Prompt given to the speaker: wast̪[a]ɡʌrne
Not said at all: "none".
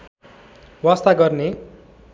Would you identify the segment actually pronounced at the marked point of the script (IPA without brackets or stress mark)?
a